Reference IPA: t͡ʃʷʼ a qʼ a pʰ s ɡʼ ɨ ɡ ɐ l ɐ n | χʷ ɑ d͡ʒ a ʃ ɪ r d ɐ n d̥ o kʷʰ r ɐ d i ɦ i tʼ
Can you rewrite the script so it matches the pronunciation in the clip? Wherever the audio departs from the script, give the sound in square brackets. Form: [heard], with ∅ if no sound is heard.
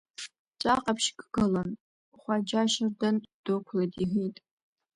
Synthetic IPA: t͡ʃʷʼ a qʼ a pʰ [ʃ] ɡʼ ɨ ɡ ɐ l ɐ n | χʷ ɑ d͡ʒ a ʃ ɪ r d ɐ n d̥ o kʷʰ [l] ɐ d i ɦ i tʼ